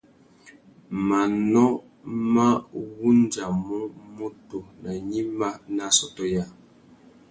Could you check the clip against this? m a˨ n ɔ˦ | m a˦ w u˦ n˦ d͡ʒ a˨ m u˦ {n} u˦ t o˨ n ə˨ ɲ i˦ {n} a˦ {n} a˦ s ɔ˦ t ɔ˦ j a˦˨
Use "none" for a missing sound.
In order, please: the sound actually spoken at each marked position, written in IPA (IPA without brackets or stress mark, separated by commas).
m, m, n